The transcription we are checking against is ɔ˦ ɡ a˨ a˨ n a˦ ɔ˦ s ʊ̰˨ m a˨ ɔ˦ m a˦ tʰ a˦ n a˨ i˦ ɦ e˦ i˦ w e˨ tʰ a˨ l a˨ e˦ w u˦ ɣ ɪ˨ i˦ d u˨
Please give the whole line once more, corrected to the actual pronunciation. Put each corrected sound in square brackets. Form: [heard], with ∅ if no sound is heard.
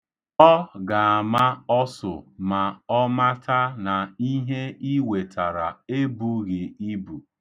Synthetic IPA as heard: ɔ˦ ɡ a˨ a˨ [m] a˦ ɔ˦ s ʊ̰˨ m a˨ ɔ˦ m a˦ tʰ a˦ n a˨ i˦ ɦ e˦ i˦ w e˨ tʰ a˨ [ɾ] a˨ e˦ [b] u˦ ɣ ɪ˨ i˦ [b] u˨